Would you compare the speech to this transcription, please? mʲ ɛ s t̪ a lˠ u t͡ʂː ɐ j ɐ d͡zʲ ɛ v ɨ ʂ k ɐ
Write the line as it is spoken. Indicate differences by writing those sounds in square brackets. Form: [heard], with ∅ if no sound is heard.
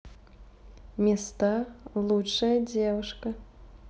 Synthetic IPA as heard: mʲ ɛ s t̪ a lˠ u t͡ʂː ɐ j ɐ d͡zʲ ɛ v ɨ ʂ k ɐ